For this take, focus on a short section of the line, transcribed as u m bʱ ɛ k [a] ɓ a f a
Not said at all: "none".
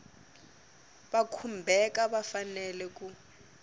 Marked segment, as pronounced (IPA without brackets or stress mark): a